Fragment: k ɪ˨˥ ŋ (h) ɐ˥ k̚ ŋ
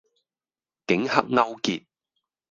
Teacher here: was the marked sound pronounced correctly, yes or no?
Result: yes